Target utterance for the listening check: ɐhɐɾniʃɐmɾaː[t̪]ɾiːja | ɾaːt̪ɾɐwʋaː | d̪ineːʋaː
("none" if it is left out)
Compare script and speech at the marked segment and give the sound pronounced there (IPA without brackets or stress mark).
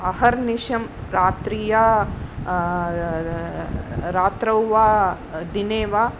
t̪